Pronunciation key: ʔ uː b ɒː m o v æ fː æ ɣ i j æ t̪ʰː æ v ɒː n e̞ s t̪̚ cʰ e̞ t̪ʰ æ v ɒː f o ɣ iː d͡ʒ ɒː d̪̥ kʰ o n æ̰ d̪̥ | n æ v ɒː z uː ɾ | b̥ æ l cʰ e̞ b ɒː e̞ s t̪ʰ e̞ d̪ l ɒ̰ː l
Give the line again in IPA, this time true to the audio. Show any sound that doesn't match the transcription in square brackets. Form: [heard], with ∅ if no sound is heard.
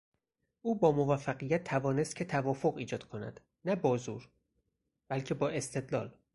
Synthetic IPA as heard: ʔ uː b ɒː m o v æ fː æ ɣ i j æ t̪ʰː æ v ɒː n e̞ s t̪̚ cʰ e̞ t̪ʰ æ v ɒː f o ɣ iː d͡ʒ ɒː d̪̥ kʰ o n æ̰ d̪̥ | n æ [b] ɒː z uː ɾ | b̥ æ l cʰ e̞ b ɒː e̞ s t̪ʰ e̞ d̪ l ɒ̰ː l